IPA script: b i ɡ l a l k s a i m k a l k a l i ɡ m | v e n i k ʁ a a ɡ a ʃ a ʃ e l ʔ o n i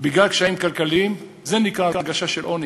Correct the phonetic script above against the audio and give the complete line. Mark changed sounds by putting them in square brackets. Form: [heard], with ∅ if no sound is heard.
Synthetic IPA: b i ɡ l a l k [ʃ] a i m k a l k a l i [∅] m | [z] e n i k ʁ a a ɡ a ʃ a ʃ e l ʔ o n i